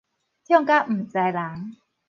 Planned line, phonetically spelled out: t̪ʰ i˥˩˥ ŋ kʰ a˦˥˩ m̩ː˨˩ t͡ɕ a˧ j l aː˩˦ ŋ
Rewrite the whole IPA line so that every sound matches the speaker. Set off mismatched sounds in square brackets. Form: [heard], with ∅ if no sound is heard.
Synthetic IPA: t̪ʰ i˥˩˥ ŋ [k] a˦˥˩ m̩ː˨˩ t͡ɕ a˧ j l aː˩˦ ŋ